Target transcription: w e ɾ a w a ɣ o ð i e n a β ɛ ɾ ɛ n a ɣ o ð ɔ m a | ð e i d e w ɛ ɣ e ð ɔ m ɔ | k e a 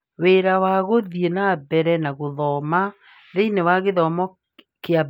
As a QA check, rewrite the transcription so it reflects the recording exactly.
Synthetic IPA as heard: w e ɾ a w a ɣ o ð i e n a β ɛ ɾ ɛ n a ɣ o ð ɔ m a | ð e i n e w a ɣ e ð ɔ m ɔ | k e a